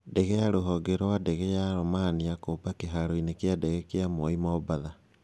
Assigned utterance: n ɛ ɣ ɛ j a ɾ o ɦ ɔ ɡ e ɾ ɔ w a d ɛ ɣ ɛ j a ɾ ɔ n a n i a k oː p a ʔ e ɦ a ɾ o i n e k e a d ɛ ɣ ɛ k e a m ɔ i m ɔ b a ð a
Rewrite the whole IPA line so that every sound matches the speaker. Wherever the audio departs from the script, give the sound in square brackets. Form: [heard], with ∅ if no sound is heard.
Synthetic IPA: [d] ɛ ɣ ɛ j a ɾ o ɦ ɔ ɡ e ɾ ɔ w a d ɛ ɣ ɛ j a ɾ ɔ [m] a n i a k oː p a [k] e ɦ a ɾ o i n e k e a d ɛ ɣ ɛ k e a m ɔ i m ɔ b a ð a